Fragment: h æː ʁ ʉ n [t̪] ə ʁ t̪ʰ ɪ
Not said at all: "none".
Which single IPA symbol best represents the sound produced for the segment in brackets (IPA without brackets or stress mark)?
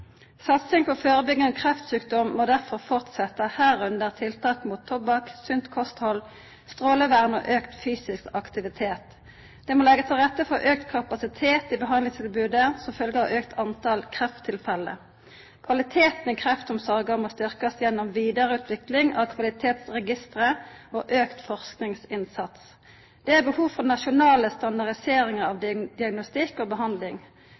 d̪